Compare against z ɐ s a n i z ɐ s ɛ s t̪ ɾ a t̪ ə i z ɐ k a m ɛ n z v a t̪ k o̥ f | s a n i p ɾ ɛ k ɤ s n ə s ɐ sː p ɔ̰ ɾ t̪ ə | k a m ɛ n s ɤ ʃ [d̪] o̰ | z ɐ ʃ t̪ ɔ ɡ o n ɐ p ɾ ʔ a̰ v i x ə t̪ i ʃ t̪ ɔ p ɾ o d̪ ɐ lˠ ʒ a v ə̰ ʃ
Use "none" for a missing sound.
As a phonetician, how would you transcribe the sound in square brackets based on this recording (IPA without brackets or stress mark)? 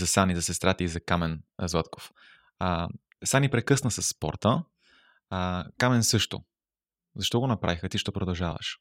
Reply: t̪